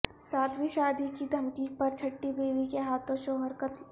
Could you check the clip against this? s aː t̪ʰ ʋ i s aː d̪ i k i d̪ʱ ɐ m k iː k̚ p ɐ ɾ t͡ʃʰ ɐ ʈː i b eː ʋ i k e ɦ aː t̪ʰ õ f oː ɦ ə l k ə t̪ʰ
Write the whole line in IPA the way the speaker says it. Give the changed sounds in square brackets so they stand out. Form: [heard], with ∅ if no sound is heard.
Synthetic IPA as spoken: s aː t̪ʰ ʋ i [ʃ] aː d̪ i k i d̪ʱ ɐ m k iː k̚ p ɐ ɾ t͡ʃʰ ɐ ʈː i b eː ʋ i k e ɦ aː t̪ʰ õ [ʃ] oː ɦ ə [ɾ] k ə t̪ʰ

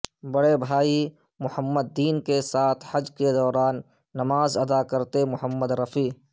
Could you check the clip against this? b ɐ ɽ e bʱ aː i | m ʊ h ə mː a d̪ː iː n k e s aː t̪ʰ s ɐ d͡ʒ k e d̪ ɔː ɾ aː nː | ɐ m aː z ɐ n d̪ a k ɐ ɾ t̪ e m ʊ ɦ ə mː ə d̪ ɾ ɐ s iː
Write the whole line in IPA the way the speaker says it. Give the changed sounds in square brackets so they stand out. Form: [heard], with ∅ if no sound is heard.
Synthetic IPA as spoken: b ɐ ɽ e bʱ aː i | m ʊ h ə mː [ə] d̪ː iː n k e s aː t̪ʰ [h] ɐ d͡ʒ k e d̪ ɔː ɾ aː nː | ɐ m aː z ɐ [∅] d̪ a k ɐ ɾ t̪ e m ʊ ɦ ə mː ə d̪ ɾ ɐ [f] iː

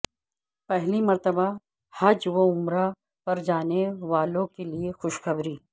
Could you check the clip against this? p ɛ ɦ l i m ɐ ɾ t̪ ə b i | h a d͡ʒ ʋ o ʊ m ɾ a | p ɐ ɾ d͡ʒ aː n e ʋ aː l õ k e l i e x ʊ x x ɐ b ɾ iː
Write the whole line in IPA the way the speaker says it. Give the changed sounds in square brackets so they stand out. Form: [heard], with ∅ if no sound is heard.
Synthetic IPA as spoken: p ɛ ɦ l i m ɐ ɾ t̪ ə b [a] | h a d͡ʒ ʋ o ʊ m ɾ a | p ɐ ɾ d͡ʒ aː n e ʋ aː l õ k e l i e x ʊ [ʃ] x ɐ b ɾ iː

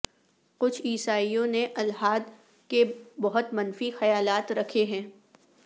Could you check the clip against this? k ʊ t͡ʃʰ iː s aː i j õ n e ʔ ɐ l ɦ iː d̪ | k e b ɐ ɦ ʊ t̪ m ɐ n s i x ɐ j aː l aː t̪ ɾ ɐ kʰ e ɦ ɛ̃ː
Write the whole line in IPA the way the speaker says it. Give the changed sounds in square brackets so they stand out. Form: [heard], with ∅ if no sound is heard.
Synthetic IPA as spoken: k ʊ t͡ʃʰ iː s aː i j õ n e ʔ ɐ l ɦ [aː] d̪ | k e b ɐ ɦ ʊ t̪ m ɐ n [f] i x ɐ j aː l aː t̪ ɾ ɐ kʰ e ɦ ɛ̃ː

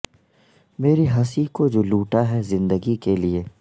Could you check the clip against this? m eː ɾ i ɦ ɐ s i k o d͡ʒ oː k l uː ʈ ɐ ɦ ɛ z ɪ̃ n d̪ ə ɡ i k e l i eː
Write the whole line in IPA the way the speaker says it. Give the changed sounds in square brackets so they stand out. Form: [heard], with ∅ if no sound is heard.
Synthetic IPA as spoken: m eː ɾ i ɦ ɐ s i k o d͡ʒ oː [∅] l uː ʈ [a] ɦ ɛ z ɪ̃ n d̪ ə ɡ i k e l i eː

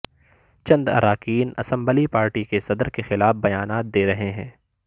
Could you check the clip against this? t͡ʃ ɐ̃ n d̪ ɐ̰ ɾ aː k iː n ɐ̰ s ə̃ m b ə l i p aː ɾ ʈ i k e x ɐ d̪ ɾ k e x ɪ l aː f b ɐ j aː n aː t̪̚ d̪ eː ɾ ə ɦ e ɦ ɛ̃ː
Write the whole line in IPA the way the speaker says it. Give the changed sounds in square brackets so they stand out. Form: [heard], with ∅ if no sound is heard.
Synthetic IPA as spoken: t͡ʃ ɐ̃ n d̪ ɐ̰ ɾ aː k iː n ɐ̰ s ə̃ m b ə l i p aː ɾ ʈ i k e [s] ɐ d̪ ɾ k e x ɪ l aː f b ɐ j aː n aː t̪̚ d̪ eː ɾ [ɐ] ɦ e ɦ ɛ̃ː

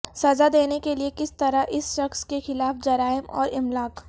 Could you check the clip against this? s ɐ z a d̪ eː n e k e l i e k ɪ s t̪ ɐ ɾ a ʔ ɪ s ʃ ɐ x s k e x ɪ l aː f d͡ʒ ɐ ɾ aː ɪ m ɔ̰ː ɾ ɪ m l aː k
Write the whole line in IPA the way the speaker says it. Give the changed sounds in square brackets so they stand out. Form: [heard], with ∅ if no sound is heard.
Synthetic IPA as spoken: s ɐ z a d̪ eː n e k e l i e k ɪ s t̪ ɐ ɾ a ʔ ɪ s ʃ ɐ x s k e x ɪ l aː f d͡ʒ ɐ ɾ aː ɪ m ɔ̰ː ɾ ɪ m l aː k

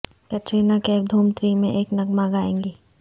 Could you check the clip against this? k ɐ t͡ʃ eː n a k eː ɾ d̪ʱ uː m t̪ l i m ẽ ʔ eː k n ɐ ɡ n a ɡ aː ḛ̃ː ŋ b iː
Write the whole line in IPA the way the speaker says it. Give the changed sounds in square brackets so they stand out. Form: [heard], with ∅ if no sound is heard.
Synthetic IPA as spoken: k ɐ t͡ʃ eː n a k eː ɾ d̪ʱ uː m t̪ [ɾ] i m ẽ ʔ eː k n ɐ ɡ [m] a ɡ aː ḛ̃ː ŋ [ɡ] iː

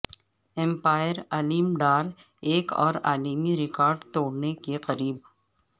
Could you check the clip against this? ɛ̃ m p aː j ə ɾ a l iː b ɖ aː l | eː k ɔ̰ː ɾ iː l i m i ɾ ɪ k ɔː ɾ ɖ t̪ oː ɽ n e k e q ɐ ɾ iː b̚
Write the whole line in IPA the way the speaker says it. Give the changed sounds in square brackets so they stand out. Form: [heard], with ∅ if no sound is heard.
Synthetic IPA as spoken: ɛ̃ m p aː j ə ɾ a l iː [m] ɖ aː [ɾ] | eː k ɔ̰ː ɾ [aː] l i m i ɾ ɪ k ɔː ɾ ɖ t̪ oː ɽ n e k e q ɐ ɾ iː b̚

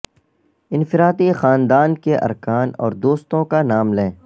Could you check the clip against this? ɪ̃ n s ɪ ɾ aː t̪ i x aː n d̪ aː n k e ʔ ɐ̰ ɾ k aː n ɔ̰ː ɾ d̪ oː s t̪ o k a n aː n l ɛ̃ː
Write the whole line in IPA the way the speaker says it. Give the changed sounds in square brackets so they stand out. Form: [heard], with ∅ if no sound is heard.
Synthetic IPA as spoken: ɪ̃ n [f] ɪ ɾ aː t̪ i x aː n d̪ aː n k e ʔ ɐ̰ ɾ k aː n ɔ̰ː ɾ d̪ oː s t̪ [õ] k a n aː [m] l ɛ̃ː

